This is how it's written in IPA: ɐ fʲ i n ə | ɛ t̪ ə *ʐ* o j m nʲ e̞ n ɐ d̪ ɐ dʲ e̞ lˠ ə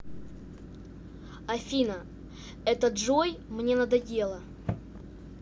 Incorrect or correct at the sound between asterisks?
correct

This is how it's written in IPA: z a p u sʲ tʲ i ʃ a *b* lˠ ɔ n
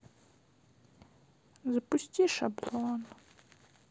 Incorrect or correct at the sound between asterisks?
correct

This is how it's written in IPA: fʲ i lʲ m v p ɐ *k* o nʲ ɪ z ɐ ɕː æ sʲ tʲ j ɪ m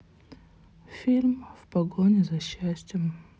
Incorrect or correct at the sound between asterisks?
incorrect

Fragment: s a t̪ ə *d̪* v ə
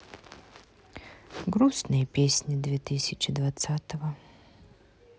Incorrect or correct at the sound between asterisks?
incorrect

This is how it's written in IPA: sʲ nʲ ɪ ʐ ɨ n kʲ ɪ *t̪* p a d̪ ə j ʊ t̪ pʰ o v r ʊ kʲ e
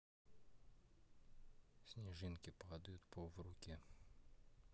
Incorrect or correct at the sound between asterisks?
incorrect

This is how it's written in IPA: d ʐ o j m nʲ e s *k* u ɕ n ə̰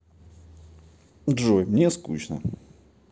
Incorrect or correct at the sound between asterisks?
correct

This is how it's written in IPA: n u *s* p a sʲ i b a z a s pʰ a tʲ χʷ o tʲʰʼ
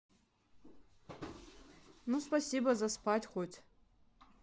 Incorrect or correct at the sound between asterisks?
correct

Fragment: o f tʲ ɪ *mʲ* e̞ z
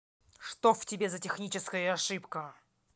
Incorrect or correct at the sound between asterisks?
incorrect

